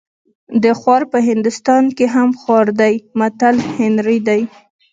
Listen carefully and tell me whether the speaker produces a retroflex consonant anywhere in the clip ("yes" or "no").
no